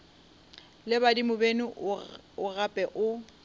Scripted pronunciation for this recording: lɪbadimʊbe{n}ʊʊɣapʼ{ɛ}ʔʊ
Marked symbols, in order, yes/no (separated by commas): yes, yes